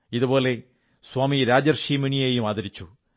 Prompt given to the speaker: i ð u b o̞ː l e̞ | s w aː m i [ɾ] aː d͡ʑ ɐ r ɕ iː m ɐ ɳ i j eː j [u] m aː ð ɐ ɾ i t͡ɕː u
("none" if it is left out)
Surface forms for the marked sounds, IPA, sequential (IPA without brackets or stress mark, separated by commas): ɾ, u